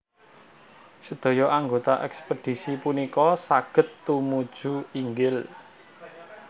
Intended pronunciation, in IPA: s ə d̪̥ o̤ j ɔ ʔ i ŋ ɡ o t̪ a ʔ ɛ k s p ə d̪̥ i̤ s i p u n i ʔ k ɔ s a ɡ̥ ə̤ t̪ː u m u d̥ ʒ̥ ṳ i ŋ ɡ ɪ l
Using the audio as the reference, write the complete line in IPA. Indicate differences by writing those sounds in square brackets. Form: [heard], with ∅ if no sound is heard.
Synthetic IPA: s ə d̪̥ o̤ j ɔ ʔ [a] ŋ ɡ o t̪ a ʔ ɛ k s p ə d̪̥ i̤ s i p u n i [∅] k ɔ s a ɡ̥ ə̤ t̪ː u m u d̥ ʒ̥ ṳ i ŋ ɡ ɪ l